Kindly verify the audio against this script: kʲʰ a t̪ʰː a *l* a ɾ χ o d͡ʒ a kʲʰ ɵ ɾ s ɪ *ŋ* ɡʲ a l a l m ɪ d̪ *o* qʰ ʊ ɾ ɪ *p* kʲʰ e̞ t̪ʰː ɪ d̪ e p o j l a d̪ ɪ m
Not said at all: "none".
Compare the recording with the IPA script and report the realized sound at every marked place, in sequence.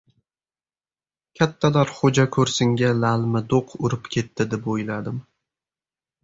l, ŋ, o, p

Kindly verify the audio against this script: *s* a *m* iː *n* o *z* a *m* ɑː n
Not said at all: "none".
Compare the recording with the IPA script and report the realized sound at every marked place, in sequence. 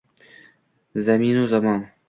z, m, n, z, m

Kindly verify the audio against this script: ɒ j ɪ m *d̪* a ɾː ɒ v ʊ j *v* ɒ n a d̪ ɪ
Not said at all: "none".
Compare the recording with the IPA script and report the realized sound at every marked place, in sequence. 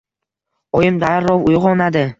d̪, ʁ

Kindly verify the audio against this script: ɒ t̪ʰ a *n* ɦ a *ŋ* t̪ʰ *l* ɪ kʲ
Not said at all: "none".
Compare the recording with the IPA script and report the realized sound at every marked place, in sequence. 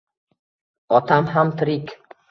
m, m, ɾ

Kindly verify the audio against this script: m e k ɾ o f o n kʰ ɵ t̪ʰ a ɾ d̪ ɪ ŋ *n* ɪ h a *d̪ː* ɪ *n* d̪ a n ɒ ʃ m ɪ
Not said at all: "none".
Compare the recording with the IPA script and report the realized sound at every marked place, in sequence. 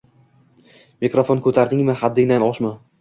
m, d̪ː, ŋ

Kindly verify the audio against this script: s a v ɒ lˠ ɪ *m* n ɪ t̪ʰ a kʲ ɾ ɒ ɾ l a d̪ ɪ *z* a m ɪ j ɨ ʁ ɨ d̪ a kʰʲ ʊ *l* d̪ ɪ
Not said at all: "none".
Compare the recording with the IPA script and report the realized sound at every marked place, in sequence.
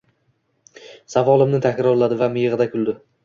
m, v, l

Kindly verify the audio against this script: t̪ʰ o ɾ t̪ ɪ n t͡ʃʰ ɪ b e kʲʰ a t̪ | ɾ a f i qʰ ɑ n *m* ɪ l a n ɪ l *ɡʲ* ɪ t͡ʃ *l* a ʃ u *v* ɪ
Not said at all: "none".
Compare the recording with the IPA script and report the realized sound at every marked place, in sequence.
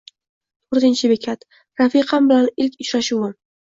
b, kʲ, ɾ, w

